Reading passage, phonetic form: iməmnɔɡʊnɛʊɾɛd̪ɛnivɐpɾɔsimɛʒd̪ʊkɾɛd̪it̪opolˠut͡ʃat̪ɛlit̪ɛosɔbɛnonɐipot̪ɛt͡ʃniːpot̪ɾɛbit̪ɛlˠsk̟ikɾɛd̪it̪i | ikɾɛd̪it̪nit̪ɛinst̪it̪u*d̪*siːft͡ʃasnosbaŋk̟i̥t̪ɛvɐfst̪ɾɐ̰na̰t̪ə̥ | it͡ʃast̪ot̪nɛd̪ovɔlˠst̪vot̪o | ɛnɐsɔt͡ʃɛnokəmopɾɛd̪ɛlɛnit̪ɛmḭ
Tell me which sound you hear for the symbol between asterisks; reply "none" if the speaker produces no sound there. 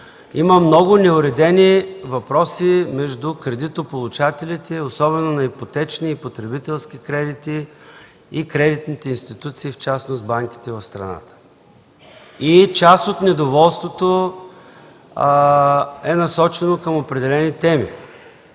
t̪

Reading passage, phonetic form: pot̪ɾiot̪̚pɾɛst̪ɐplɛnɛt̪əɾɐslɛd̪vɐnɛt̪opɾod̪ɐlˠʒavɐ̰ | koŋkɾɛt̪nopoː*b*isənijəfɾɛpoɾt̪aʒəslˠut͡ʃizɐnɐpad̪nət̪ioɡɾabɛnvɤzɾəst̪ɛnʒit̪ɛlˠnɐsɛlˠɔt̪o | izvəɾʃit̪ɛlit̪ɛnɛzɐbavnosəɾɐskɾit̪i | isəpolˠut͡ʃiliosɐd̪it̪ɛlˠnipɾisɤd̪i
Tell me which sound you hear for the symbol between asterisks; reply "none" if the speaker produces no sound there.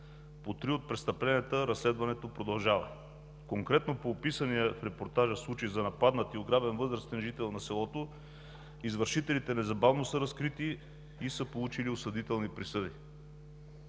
p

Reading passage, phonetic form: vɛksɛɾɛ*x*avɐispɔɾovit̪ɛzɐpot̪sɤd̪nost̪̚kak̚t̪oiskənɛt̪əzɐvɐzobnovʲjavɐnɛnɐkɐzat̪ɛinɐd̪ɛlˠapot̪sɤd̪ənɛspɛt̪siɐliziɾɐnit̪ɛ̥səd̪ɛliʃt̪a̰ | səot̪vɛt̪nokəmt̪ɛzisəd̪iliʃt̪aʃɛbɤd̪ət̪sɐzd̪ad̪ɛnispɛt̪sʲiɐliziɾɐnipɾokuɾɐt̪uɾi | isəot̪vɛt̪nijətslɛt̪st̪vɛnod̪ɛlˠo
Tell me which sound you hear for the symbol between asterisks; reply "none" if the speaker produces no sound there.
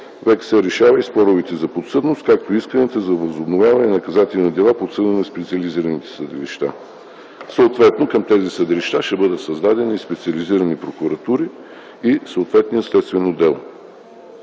ʃ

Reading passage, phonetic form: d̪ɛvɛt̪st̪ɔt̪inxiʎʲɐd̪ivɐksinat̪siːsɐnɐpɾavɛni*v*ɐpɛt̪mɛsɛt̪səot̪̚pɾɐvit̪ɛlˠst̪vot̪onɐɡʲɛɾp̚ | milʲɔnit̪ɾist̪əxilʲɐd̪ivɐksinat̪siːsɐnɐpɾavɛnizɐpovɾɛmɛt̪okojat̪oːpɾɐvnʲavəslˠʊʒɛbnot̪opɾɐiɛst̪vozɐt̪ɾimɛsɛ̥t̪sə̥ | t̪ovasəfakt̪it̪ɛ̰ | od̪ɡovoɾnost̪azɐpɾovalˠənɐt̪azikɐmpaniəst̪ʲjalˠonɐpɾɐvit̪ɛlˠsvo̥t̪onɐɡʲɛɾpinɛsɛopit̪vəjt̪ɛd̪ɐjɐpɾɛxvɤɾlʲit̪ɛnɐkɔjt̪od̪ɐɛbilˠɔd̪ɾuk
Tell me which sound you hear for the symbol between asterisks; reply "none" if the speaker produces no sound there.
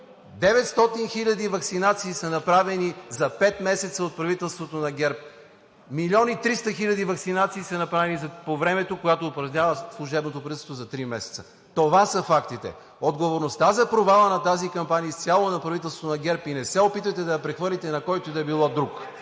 z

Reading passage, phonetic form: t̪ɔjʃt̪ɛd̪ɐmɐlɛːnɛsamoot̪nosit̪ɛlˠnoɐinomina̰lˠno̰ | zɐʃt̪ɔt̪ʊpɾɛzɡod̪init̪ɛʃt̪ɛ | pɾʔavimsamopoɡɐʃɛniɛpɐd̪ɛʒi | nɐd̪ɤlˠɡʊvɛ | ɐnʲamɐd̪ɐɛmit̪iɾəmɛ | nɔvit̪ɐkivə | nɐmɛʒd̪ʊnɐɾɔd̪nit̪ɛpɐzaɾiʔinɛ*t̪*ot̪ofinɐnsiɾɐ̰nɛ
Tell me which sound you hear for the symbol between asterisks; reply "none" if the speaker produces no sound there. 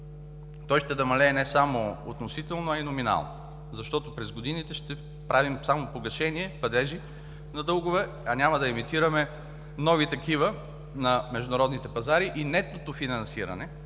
t̪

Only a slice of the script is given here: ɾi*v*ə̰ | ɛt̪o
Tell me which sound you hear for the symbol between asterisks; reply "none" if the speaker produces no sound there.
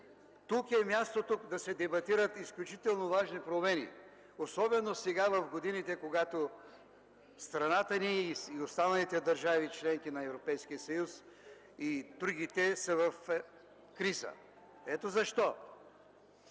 z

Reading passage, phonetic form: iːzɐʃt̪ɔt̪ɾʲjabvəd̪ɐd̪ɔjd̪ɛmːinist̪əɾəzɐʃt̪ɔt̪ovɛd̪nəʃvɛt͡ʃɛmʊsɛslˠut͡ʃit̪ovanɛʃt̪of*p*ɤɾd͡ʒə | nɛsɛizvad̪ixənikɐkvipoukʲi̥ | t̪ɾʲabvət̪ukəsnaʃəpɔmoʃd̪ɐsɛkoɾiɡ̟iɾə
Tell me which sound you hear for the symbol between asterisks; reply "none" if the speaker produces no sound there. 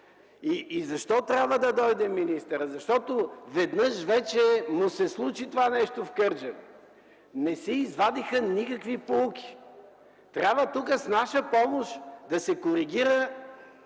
k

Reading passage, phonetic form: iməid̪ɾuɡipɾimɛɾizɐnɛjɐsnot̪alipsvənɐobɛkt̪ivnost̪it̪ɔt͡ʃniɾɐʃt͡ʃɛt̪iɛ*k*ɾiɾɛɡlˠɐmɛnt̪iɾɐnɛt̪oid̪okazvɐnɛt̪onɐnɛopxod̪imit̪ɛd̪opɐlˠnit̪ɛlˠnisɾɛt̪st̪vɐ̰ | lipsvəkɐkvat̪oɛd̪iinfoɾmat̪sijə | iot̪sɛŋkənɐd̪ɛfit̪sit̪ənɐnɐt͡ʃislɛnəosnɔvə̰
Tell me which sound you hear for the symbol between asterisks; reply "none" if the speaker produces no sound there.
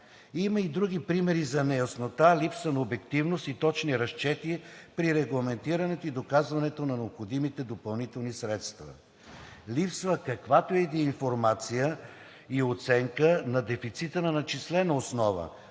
p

